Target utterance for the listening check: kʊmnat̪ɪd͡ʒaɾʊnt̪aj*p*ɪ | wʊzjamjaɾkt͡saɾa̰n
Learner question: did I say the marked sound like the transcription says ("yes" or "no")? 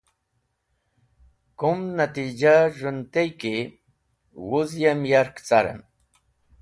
no